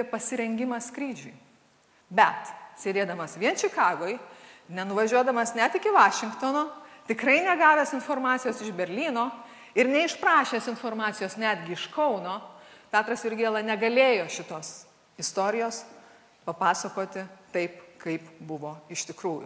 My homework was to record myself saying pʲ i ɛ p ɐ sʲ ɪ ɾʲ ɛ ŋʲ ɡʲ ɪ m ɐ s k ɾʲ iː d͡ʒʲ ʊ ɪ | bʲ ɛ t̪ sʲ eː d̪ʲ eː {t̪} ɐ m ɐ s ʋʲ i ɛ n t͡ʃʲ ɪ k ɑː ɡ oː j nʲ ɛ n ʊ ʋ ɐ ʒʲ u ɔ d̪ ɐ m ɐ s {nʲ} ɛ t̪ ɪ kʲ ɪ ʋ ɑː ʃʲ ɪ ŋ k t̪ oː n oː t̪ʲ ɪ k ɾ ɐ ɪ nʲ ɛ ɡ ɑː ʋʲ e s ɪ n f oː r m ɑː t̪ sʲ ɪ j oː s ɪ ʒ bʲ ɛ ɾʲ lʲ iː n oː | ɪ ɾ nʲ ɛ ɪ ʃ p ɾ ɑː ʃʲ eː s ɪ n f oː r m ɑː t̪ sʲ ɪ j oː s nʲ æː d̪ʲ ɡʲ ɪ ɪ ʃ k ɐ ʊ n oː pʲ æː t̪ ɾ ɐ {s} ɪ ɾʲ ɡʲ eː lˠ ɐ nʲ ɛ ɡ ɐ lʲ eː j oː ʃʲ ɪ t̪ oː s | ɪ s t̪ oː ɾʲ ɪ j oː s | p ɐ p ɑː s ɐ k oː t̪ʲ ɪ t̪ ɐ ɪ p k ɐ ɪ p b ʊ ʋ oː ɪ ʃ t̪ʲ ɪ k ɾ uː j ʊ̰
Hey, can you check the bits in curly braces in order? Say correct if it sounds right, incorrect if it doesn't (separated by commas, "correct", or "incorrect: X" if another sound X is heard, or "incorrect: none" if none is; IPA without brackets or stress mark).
incorrect: d̪, correct, correct